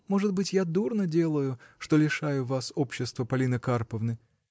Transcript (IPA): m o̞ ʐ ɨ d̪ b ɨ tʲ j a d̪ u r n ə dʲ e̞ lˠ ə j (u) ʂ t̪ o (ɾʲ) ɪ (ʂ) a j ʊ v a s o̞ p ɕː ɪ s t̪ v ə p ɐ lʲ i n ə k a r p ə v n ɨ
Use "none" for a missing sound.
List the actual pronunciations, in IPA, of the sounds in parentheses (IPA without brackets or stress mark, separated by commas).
ʊ, lʲ, ʂ